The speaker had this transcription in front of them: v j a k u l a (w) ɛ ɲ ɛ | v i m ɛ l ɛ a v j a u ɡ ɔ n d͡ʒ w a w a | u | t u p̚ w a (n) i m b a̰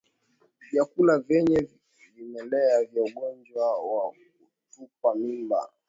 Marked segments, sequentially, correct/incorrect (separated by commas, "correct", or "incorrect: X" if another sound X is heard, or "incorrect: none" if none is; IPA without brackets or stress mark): incorrect: v, incorrect: m